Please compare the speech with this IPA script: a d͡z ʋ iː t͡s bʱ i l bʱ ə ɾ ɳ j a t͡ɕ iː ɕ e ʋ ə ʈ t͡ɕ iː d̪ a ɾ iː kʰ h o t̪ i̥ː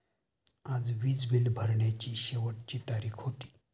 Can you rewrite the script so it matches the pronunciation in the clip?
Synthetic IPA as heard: a d͡z ʋ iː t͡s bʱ i l bʱ ə ɾ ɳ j a t͡ɕ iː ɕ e ʋ ə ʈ t͡ɕ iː t̪ a ɾ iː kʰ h o t̪ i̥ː